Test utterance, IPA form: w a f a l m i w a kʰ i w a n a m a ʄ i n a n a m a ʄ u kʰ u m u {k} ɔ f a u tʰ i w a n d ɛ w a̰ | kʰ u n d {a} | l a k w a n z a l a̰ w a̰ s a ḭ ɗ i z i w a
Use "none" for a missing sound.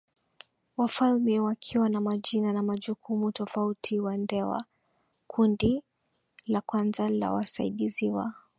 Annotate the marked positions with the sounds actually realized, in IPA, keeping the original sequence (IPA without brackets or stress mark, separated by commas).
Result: t, i